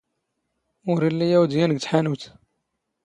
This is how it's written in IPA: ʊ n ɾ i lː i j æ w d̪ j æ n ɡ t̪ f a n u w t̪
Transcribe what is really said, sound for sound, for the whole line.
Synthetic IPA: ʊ ɾ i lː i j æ w d̪ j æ n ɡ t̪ ħ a n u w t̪